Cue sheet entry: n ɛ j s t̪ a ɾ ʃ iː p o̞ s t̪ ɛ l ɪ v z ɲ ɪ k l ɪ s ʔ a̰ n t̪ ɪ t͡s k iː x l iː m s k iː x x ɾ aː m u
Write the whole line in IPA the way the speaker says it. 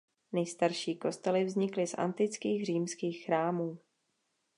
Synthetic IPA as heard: n ɛ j s t̪ a ɾ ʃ iː k o̞ s t̪ ɛ l ɪ v z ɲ ɪ k l ɪ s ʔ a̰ n t̪ ɪ t͡s k iː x r iː m s k iː x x ɾ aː m uː